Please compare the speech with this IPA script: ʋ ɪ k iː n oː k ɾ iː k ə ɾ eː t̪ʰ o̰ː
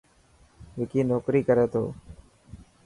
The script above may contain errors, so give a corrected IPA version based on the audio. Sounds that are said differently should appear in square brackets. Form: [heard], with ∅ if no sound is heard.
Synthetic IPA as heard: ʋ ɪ k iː n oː k ɾ iː k ə ɾ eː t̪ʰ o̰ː